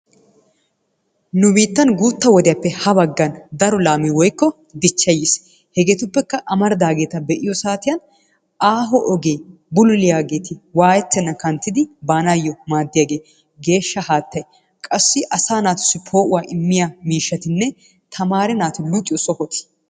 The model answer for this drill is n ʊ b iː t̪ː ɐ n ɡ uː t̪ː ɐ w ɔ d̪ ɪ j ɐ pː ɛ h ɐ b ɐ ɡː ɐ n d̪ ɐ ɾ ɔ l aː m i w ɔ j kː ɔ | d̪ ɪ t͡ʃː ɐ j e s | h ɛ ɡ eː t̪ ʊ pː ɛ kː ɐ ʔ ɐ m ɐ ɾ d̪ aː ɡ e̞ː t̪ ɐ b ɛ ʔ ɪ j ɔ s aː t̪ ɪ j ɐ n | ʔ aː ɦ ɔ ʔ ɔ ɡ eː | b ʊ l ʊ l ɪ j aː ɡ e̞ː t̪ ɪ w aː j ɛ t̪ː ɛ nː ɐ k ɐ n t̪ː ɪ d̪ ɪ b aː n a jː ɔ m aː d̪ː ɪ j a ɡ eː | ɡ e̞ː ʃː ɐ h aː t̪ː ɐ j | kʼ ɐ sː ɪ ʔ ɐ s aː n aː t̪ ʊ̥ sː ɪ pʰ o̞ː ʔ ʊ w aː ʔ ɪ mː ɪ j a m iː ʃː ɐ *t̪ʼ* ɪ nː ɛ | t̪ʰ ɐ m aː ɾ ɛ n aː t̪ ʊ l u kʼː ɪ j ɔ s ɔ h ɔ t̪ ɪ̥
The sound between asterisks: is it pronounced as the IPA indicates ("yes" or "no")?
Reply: no